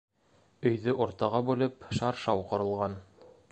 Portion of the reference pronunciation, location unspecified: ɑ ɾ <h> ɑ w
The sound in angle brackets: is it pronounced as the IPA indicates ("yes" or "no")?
no